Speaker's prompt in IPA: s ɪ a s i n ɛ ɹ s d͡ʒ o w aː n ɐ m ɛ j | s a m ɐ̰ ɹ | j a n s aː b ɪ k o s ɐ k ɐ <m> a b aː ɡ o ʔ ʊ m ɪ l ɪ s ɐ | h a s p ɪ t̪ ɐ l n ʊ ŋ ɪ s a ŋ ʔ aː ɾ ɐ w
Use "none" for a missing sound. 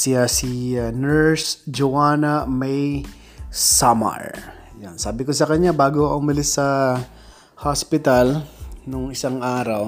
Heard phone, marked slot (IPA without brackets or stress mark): ɲ